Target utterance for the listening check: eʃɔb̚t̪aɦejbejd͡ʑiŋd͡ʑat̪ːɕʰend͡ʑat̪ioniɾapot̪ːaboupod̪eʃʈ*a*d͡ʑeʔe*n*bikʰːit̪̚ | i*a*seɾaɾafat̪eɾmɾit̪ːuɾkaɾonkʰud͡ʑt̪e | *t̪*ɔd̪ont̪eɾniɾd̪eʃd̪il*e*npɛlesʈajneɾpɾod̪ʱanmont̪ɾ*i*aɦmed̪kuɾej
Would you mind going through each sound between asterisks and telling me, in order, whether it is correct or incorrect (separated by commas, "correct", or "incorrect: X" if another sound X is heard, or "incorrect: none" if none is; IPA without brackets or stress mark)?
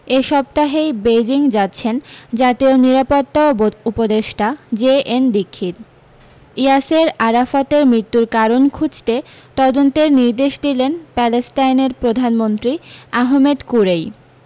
correct, correct, correct, correct, correct, correct